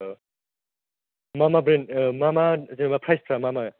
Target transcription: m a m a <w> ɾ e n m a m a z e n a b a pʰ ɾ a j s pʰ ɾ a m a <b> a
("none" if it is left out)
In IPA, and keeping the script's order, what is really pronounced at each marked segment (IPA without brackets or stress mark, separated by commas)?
b, m